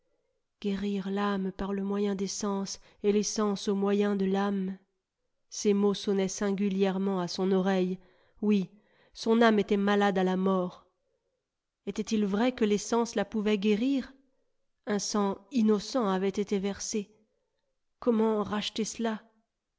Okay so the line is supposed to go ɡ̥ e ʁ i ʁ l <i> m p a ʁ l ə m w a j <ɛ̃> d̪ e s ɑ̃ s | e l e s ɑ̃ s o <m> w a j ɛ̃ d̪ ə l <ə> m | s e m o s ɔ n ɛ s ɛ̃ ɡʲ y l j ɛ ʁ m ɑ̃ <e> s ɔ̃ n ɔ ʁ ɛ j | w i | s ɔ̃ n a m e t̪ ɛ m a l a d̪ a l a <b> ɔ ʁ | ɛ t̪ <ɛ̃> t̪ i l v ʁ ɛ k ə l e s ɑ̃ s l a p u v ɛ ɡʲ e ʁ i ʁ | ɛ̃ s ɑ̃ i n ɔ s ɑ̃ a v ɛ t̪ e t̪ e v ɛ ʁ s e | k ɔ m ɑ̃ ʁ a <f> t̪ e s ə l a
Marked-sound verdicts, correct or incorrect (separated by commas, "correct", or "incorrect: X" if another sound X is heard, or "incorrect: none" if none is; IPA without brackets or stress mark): incorrect: a, correct, correct, incorrect: a, incorrect: a, incorrect: m, incorrect: ɛ, incorrect: ʃ